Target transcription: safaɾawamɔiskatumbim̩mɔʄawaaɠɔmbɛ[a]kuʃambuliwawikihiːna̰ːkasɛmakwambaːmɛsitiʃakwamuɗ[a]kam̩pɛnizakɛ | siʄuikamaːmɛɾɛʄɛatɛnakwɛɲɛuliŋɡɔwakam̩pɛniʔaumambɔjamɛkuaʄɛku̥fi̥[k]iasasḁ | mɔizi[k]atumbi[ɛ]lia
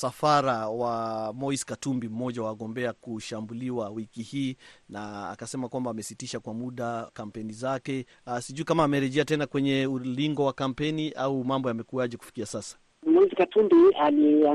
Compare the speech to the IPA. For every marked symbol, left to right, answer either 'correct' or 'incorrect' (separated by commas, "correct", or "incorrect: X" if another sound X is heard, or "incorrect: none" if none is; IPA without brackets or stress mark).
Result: correct, correct, correct, correct, incorrect: a